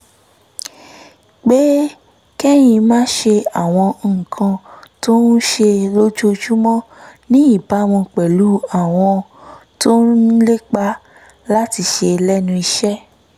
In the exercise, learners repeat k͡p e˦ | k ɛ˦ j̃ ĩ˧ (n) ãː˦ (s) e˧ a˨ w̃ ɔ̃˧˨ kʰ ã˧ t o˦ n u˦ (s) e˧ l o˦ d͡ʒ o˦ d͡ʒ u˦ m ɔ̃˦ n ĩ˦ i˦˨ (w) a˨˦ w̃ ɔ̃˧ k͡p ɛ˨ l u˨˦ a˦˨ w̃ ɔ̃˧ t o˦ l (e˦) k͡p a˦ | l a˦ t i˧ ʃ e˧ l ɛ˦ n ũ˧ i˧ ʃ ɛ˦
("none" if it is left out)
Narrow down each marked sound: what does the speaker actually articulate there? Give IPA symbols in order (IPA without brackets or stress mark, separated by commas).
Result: m, ʃ, ʃ, b, e˦